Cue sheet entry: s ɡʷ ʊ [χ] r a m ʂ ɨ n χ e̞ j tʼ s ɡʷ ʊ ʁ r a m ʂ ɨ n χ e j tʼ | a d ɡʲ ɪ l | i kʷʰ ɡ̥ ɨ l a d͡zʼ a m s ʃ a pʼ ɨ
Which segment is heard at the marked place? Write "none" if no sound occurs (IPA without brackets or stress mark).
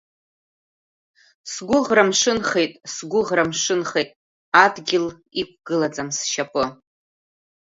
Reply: ʁ